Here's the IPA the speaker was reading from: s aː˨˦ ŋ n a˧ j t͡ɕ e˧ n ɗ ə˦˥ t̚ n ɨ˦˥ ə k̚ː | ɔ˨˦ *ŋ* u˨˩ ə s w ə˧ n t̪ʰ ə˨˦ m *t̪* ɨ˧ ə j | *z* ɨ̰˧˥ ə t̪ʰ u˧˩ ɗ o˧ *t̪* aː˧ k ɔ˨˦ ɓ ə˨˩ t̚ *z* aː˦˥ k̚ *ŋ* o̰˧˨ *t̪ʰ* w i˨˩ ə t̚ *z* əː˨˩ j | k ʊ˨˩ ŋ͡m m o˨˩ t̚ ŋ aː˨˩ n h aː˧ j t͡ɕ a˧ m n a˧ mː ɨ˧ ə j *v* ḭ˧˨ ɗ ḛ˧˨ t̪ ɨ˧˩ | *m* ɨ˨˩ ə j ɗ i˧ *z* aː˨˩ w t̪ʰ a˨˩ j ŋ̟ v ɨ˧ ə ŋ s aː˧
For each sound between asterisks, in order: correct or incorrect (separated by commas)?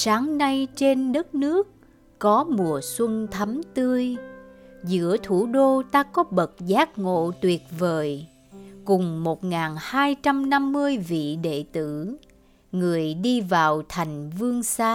incorrect, correct, correct, correct, correct, correct, incorrect, incorrect, correct, incorrect, incorrect